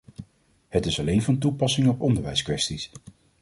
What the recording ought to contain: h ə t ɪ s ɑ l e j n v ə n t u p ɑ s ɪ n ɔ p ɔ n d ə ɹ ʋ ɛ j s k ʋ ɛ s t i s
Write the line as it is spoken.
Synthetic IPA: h ə t ɪ s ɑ l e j n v ɑ n t u p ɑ s ɪ ŋ ɔ p ɔ n d ə ɹ ʋ ɛ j s k ʋ ɛ s t i s